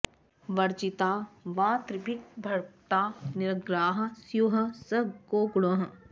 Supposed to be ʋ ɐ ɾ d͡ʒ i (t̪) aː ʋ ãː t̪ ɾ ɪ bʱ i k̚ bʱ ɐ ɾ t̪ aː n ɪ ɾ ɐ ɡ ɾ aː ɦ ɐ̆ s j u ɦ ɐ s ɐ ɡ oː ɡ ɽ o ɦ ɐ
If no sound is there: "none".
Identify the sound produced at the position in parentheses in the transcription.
t̪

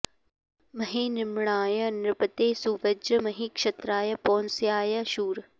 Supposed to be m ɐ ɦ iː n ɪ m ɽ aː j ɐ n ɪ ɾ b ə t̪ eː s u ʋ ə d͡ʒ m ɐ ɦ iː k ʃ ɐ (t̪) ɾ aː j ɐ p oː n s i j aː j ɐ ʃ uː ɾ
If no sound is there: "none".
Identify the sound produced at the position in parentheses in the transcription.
t̪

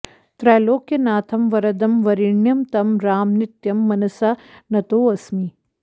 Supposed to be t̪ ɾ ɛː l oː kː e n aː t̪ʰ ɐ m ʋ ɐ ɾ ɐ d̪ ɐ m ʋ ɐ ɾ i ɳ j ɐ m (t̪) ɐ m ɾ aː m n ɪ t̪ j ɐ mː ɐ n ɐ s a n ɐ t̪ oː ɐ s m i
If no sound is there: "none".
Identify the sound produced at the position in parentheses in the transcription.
t̪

